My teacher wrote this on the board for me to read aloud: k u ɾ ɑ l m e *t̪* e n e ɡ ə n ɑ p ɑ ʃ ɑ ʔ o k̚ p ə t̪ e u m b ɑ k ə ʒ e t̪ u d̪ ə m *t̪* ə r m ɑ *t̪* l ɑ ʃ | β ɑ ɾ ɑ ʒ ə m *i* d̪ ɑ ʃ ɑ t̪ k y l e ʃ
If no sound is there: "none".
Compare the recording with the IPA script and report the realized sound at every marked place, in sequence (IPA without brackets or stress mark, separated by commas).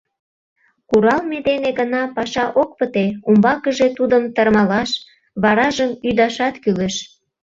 d̪, t̪, none, y